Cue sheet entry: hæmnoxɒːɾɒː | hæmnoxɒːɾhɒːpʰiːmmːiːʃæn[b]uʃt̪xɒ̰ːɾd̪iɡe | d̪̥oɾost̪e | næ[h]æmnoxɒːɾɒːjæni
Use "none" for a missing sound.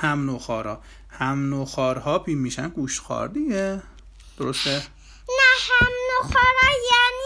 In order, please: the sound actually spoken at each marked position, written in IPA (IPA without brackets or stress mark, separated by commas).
ɡ, h